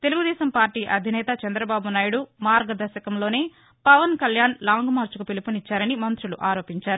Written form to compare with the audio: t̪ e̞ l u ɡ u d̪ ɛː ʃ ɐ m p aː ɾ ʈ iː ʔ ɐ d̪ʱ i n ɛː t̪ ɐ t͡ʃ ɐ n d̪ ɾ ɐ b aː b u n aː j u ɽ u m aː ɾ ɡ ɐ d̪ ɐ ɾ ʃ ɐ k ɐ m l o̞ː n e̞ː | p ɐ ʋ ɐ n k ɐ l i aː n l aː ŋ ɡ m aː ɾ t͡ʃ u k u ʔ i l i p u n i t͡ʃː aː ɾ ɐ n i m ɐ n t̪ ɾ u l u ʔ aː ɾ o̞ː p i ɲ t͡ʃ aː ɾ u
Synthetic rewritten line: t̪ e̞ l u ɡ u d̪ ɛː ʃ ɐ m p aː ɾ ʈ iː ʔ ɐ d̪ʱ i n ɛː t̪ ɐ t͡ʃ ɐ n d̪ ɾ ɐ b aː b u n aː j u ɽ u m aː ɾ ɡ ɐ d̪ ɐ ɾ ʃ ɐ k ɐ m l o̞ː n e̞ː | p ɐ ʋ ɐ n k ɐ l j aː n l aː ŋ ɡ m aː ɾ t͡ʃ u k u p i l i p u n i t͡ʃː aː ɾ ɐ n i m ɐ n t̪ ɾ u l u ʔ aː ɾ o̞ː p i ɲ t͡ʃ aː ɾ u